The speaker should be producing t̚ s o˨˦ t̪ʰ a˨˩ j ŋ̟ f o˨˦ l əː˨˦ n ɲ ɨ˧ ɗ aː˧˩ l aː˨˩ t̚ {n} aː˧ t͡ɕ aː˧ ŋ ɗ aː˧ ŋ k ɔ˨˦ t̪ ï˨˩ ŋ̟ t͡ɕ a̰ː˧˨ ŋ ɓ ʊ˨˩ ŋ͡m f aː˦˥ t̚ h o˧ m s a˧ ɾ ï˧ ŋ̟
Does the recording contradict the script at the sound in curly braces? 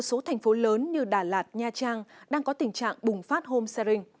yes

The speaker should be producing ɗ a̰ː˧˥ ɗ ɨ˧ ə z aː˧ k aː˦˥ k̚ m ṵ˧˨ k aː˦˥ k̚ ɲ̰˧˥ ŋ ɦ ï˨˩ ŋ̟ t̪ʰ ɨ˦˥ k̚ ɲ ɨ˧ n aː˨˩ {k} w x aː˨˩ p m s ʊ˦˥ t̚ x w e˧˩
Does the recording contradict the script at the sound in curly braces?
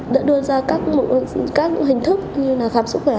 yes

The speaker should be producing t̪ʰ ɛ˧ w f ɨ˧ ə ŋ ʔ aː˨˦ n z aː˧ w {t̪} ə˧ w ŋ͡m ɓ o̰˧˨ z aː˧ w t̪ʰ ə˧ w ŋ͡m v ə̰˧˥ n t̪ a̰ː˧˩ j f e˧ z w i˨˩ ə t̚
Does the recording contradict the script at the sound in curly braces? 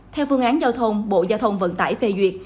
yes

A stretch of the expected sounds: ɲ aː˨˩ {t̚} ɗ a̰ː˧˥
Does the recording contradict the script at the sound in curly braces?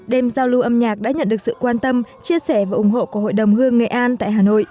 yes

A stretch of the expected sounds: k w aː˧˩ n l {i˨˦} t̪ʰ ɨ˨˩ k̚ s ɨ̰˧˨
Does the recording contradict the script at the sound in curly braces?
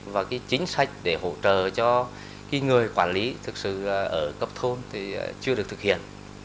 no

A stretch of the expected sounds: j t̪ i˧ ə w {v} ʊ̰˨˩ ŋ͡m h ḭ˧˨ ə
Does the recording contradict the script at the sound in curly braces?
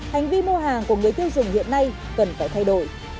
yes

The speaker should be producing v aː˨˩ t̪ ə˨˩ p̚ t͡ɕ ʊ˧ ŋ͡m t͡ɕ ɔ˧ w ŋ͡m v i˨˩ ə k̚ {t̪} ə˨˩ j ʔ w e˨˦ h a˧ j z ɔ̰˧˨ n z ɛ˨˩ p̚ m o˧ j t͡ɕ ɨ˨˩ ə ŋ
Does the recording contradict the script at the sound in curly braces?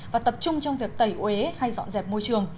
no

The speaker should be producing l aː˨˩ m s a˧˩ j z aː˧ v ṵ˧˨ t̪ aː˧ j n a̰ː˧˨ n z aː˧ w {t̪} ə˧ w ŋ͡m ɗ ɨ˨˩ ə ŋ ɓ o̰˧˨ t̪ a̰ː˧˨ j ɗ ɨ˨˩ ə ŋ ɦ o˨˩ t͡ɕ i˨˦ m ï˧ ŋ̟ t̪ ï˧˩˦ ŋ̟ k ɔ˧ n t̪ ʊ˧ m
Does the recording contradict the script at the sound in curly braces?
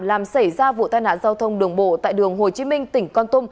yes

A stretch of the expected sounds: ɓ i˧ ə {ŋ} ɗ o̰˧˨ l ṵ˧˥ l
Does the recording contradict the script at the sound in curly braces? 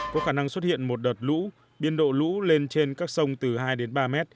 yes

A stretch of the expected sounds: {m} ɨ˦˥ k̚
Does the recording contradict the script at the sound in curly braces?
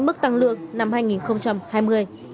no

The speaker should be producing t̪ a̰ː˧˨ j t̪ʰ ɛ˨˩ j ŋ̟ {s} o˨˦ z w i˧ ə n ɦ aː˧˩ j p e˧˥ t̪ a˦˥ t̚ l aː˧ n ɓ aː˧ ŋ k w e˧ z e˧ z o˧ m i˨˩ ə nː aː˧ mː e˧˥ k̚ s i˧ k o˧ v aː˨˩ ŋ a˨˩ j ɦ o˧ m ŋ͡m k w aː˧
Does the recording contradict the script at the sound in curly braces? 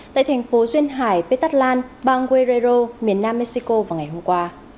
yes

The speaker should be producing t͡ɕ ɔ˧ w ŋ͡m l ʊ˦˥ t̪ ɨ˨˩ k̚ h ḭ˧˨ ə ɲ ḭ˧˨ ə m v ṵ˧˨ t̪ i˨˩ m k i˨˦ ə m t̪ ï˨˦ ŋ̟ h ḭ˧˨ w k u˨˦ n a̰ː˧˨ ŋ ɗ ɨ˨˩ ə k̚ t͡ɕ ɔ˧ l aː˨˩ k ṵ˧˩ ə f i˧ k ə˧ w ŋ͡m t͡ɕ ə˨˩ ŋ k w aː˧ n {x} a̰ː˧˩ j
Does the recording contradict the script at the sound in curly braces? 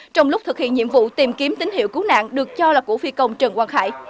no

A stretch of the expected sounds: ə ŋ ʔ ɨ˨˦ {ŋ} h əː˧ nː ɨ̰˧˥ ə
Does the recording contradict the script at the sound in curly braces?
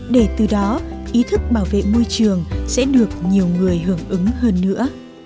no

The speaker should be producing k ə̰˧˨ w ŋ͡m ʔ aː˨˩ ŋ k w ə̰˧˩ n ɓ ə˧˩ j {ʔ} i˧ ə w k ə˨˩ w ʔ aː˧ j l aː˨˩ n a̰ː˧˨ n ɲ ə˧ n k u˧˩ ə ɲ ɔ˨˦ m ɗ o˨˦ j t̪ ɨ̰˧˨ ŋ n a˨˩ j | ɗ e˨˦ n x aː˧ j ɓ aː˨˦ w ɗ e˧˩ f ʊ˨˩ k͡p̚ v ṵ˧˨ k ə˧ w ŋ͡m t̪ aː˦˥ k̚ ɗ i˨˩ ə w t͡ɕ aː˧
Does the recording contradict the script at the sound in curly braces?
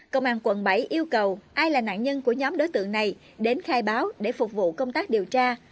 no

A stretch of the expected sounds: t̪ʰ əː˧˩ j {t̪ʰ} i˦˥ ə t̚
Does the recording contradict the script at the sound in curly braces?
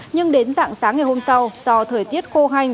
yes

